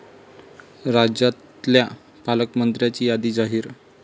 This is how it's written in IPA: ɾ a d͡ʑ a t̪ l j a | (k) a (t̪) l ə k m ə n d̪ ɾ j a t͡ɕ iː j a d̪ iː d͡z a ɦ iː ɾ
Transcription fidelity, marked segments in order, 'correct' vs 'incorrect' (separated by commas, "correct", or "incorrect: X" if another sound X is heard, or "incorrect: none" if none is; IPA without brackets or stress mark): incorrect: p, incorrect: none